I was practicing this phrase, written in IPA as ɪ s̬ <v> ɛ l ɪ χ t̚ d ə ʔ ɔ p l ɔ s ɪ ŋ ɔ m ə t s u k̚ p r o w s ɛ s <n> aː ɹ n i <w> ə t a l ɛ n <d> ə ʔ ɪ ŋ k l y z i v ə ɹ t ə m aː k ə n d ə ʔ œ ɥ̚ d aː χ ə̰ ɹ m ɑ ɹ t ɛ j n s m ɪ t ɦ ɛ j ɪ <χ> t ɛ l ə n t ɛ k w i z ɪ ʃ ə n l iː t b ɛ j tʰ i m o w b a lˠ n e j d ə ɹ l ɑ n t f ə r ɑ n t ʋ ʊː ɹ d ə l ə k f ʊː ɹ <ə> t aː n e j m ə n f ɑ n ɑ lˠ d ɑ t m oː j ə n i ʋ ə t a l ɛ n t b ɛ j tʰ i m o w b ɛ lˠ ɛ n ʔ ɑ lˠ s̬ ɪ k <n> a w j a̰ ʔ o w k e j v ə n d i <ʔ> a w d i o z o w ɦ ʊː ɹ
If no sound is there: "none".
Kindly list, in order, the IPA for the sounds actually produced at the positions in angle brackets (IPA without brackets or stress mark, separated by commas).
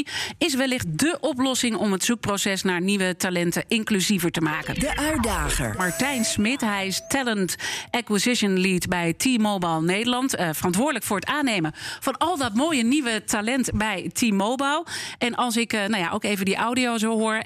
ʋ, n, ʋ, t, s, ə, n, ʔ